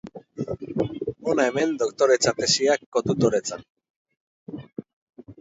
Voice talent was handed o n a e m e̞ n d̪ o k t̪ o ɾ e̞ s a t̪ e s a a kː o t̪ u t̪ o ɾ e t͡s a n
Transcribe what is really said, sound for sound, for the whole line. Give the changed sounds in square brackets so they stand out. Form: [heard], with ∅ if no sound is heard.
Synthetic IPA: o n a e m e̞ n d̪ o k t̪ o ɾ e̞ [t͡s] a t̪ e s [i] a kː o t̪ u t̪ o ɾ e t͡s a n